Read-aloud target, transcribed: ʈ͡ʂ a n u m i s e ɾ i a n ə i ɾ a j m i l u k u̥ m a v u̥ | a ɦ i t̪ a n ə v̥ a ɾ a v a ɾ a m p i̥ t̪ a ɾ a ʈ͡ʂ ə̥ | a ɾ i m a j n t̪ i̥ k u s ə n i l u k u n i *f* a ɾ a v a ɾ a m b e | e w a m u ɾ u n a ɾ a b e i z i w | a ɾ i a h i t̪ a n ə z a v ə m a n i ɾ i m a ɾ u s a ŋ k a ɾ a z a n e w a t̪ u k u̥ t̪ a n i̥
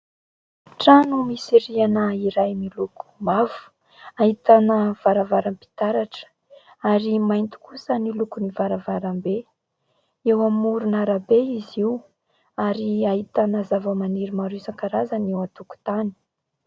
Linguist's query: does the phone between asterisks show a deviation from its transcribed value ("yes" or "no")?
yes